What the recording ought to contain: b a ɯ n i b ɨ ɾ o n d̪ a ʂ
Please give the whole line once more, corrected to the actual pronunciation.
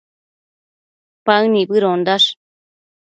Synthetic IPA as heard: p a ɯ n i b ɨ ɾ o n d̪ a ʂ